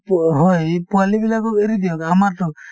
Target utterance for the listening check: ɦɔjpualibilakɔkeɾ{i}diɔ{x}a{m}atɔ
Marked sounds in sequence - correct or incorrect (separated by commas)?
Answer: correct, incorrect, correct